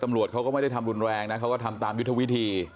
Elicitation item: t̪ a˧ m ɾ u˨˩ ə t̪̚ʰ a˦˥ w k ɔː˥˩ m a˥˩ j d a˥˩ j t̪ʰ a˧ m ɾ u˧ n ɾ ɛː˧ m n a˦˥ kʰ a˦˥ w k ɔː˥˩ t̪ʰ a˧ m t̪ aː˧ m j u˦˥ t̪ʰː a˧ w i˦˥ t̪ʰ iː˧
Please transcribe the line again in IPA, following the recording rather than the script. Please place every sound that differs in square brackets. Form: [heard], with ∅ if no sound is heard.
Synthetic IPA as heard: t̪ a˧ m ɾ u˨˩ ə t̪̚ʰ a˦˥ w k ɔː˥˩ m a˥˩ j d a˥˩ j t̪ʰ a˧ m ɾ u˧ n ɾ ɛː˧ [ŋ] n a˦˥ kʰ a˦˥ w k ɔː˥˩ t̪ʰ a˧ m t̪ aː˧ m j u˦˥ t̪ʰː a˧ w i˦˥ t̪ʰ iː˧